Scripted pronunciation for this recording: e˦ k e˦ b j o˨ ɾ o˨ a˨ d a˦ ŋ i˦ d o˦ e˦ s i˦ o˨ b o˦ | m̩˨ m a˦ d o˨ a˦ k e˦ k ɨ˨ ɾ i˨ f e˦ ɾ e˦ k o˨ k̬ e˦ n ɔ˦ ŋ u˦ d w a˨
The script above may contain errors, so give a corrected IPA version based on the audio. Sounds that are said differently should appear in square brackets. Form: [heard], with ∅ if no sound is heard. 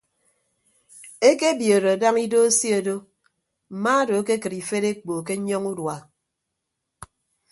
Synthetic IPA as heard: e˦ k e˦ b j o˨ ɾ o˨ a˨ d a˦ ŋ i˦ d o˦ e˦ s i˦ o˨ [d] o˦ | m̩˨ m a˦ d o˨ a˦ k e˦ k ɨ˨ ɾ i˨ f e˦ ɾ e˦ [k͡p] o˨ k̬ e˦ [ɲ] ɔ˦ ŋ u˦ d w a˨

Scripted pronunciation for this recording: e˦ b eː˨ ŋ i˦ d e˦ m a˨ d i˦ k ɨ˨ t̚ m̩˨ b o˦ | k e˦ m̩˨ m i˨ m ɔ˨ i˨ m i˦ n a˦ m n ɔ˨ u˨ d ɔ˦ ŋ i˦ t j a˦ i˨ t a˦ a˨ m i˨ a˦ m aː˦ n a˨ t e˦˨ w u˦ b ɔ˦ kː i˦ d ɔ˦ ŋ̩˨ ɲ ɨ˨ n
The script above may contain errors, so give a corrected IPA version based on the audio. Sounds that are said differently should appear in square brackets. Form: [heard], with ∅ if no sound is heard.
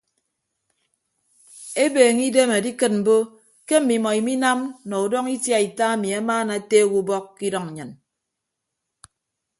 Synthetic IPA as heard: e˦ b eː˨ ŋ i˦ d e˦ m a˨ d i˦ k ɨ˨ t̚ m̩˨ b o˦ | k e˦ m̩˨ m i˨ m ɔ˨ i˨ m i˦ n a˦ m n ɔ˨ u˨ d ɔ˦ ŋ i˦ t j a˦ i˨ t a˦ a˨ m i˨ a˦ m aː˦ n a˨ t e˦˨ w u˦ b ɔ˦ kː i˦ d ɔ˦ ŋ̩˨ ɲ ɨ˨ n

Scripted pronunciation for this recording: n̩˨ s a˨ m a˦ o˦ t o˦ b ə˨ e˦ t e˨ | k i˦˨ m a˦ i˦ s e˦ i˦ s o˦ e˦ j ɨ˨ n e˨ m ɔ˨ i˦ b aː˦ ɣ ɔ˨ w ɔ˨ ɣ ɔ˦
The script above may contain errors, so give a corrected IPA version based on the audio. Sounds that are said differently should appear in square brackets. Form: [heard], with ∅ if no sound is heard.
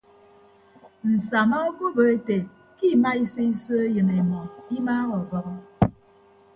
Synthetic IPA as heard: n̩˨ s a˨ m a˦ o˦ [k] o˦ b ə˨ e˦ t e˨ | k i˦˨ m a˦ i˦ s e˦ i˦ s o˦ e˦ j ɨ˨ n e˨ m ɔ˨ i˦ [m] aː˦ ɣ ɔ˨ [b] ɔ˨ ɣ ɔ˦

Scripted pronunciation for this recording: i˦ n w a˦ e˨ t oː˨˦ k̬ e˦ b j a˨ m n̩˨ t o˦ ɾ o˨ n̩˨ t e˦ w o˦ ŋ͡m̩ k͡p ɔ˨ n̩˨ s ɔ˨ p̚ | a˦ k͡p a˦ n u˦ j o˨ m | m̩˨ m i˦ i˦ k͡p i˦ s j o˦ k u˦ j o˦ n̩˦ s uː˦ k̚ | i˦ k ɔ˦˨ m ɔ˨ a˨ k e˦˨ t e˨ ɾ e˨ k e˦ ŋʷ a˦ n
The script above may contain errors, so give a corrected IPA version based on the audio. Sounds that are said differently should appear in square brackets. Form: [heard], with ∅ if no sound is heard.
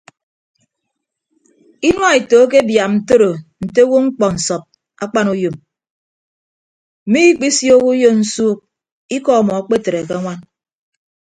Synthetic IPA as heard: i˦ n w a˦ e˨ t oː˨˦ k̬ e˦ b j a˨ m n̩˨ t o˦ ɾ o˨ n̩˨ t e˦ w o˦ ŋ͡m̩ k͡p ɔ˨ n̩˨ s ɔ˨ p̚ | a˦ k͡p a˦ n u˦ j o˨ m | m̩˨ m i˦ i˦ k͡p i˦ s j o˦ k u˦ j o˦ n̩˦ s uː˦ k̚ | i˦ k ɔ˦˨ m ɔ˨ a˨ [k͡p] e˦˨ t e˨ ɾ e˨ k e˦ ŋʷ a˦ n

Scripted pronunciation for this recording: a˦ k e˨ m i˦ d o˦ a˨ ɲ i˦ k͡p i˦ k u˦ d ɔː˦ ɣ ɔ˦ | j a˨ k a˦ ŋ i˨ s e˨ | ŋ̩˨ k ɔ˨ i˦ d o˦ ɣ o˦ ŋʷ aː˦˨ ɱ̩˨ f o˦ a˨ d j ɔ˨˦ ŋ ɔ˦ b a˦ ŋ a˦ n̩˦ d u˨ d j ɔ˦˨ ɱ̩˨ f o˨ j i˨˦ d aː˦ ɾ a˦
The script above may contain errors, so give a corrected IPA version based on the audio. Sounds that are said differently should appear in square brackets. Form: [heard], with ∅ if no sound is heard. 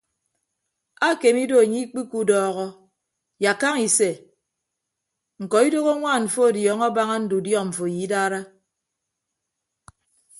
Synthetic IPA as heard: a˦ k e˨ m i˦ d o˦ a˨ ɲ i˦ k͡p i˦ k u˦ d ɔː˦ ɣ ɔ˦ | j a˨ k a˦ ŋ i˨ s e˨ | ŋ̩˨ k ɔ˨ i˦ d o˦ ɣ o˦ ŋʷ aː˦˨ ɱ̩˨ f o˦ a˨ d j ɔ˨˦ ŋ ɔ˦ b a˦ ŋ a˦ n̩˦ d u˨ d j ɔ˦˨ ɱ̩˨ f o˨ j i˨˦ d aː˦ ɾ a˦

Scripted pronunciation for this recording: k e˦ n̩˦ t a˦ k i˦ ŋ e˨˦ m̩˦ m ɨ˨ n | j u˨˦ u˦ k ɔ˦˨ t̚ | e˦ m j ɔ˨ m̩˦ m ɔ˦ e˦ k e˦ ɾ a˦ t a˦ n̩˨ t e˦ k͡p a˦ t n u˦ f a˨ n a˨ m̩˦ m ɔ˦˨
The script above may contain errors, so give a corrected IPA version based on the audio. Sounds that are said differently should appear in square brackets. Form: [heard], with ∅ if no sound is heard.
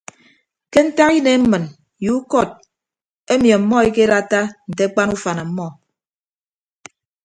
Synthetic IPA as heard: k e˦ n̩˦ t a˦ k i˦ [n] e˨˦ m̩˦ m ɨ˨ n | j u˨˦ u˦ k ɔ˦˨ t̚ | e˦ m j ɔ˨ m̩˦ m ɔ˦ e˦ k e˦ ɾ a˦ t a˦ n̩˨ t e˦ k͡p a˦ [∅] n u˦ f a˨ n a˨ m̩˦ m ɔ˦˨

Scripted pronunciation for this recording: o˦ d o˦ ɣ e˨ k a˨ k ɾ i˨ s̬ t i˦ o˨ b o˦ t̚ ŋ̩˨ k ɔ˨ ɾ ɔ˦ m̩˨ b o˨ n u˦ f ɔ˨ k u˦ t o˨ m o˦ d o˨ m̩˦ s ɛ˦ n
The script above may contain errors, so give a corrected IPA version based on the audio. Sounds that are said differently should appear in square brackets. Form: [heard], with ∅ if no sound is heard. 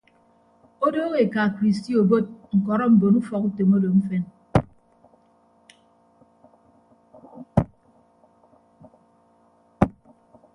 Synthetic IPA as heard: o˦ d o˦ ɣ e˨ k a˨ k ɾ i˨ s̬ t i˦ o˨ b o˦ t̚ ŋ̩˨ k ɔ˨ ɾ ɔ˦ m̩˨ b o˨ n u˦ f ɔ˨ k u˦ t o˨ m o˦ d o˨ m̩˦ [f] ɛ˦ n

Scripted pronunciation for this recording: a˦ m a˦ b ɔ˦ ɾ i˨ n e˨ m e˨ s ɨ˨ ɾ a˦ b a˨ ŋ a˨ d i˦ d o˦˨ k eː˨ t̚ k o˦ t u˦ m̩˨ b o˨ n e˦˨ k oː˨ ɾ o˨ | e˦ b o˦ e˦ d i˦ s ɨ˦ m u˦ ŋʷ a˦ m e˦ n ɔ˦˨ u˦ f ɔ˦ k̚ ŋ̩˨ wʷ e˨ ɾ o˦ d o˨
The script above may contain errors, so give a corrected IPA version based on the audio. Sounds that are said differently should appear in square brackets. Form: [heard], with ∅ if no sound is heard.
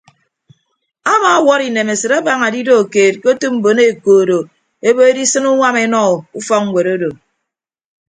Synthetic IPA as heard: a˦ m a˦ [w] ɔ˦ ɾ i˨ n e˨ m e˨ s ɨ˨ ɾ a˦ b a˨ ŋ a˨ d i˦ d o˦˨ k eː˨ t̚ k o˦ t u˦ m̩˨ b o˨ n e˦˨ k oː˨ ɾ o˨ | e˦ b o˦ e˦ d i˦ s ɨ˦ [n] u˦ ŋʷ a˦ m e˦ n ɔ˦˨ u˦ f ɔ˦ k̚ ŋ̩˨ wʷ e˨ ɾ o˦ d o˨

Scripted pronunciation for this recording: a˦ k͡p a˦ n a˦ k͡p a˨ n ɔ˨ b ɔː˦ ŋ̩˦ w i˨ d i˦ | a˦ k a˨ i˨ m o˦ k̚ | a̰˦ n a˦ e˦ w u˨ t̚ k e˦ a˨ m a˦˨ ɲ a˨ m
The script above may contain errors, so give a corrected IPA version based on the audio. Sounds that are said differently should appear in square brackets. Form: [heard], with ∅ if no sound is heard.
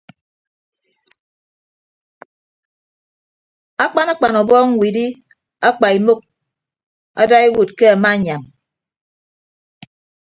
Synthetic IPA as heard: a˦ k͡p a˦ n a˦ k͡p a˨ n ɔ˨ b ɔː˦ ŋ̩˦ w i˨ d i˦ | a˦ [k͡p] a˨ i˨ m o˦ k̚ | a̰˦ [d] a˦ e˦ w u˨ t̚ k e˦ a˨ m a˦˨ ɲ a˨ m

